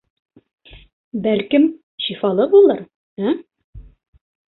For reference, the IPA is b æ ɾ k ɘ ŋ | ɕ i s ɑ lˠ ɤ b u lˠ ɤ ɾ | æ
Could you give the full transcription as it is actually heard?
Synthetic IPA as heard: b æ l k ɘ m | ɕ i f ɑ lˠ ɤ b u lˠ ɤ ɾ | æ